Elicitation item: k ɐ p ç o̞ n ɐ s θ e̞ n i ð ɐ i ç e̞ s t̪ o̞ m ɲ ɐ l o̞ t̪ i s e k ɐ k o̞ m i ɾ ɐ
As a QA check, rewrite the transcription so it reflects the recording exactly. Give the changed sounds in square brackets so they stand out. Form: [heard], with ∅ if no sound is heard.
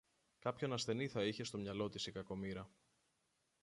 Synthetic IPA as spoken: k ɐ p ç o̞ n ɐ s θ e̞ n i [θ] ɐ i ç e̞ s t̪ o̞ m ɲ ɐ l o̞ t̪ i s [i] k ɐ k o̞ m i ɾ ɐ